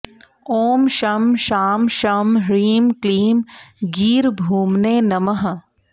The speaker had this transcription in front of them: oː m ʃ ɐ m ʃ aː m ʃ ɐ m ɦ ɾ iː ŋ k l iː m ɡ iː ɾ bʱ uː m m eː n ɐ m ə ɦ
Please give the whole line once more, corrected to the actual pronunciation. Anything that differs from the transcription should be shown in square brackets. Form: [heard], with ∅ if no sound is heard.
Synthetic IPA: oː m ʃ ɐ m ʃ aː m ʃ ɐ m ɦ ɾ iː [m] k l iː m ɡ iː ɾ bʱ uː m [n] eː n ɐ m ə ɦ

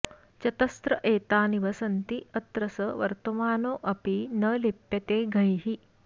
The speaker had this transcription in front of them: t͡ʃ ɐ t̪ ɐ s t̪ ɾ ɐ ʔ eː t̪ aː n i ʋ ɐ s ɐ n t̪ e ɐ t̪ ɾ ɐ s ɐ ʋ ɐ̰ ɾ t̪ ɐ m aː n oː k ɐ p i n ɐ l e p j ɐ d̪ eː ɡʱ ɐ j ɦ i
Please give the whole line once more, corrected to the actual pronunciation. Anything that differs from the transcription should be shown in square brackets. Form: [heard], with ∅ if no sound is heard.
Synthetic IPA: t͡ʃ ɐ t̪ ɐ s t̪ ɾ ɐ ʔ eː t̪ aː n i ʋ ɐ s ɐ n t̪ [i] ɐ t̪ ɾ ɐ s ɐ ʋ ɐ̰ ɾ t̪ ɐ m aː n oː [ʔ] ɐ p i n ɐ l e p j ɐ [t̪] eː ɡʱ ɐ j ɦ i

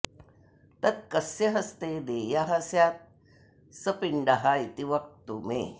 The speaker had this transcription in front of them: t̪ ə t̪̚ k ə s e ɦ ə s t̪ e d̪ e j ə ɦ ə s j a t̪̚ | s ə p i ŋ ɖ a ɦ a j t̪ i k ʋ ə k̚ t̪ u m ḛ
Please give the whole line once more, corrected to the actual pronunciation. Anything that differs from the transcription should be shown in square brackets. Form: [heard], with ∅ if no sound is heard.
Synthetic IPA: t̪ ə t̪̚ k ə s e ɦ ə s t̪ e d̪ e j [a] ɦ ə s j a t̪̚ | s ə p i [ɳ] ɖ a ɦ a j t̪ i [∅] ʋ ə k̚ t̪ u m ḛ

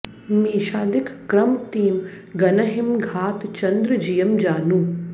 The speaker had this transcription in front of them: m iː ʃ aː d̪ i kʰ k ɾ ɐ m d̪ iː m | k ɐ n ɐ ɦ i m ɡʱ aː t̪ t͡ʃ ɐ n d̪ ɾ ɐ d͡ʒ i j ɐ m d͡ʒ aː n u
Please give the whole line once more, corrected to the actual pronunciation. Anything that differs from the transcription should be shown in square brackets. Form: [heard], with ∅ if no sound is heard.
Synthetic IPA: m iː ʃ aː d̪ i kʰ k ɾ ɐ m [t̪] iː m | [ɡ] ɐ n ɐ ɦ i m ɡʱ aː t̪ t͡ʃ ɐ n d̪ ɾ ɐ d͡ʒ i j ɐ m d͡ʒ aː n u

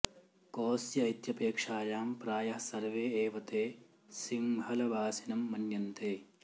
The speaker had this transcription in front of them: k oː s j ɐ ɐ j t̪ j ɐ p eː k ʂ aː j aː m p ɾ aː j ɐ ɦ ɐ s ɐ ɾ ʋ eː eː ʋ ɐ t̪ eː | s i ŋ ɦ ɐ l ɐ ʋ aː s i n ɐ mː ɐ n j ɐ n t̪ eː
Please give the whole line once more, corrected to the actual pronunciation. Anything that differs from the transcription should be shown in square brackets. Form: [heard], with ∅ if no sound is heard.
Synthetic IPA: k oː s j ɐ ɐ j t̪ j ɐ p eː k ʂ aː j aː m p ɾ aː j ɐ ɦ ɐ s ɐ ɾ ʋ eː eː ʋ ɐ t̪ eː | s i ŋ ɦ ɐ l ɐ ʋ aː s i n ɐ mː ɐ n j ɐ n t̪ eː

